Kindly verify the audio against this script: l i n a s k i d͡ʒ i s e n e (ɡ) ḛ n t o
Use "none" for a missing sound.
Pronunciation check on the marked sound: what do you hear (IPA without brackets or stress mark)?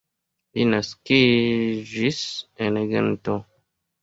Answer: ɡ